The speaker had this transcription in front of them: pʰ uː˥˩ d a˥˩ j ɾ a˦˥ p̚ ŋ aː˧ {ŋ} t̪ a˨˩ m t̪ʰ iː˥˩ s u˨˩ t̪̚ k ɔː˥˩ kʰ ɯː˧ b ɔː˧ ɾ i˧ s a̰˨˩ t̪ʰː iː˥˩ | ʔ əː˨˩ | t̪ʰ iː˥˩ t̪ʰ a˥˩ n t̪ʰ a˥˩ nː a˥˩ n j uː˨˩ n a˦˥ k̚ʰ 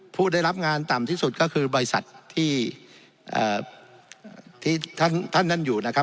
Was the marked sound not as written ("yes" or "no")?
yes